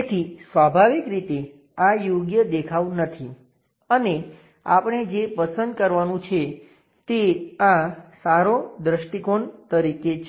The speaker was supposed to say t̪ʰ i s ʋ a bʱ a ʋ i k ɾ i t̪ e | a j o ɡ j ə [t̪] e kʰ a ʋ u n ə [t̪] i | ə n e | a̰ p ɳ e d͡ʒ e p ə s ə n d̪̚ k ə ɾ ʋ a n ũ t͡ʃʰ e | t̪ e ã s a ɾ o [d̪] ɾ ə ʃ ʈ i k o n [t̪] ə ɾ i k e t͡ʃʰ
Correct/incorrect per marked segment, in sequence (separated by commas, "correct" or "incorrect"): incorrect, incorrect, correct, correct